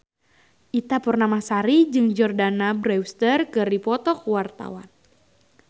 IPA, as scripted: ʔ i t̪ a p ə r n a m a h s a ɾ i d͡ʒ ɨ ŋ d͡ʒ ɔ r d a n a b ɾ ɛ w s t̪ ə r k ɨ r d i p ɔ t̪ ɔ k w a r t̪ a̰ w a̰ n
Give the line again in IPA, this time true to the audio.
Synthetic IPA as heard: ʔ i t̪ a p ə r n a m a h s a ɾ i d͡ʒ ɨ ŋ d͡ʒ ɔ r d a n a b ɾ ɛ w s t̪ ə r k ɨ r d i p ɔ t̪ ɔ k w a r t̪ a̰ w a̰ n